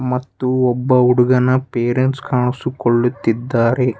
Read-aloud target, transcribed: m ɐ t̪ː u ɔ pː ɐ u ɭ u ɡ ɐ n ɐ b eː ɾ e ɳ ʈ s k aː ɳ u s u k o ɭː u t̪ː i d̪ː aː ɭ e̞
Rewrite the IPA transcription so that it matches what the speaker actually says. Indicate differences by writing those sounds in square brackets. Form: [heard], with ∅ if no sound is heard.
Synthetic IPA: m ɐ t̪ː u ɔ [bː] ɐ u [ɽ] u ɡ ɐ n ɐ [p] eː ɾ e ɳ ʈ s k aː ɳ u s u k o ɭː u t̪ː i d̪ː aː [ɾ] e̞